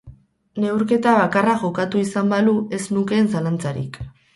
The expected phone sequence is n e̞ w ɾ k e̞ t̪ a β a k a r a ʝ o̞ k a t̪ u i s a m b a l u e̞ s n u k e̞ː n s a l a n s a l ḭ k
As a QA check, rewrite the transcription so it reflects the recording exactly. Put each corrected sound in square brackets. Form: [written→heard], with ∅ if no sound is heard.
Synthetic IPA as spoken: n e̞ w ɾ k e̞ t̪ a β a k a r a ʝ o̞ k a t̪ u i s a m b a l u e̞ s n u k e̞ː n s a l a n [s→t͡s] a [l→ɾ] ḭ k